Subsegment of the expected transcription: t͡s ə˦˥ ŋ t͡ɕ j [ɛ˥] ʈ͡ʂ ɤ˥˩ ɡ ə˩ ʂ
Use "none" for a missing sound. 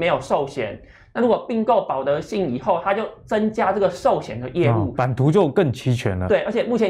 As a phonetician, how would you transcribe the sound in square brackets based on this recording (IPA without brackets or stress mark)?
a˥